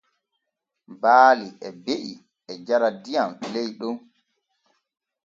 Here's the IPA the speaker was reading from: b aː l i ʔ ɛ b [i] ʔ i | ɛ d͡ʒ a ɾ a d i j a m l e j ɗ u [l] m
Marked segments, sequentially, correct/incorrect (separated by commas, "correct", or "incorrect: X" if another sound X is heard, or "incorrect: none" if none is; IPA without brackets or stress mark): incorrect: e, incorrect: none